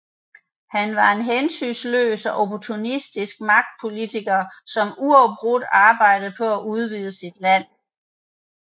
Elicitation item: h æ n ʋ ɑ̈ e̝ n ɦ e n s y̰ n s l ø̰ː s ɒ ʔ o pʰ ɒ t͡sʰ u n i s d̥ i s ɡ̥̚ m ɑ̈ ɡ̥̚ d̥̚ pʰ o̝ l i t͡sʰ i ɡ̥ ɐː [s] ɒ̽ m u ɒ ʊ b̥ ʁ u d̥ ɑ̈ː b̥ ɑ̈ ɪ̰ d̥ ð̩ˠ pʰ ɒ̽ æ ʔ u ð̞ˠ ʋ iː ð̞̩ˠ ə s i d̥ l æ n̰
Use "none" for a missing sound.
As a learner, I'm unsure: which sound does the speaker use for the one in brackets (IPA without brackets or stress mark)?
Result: s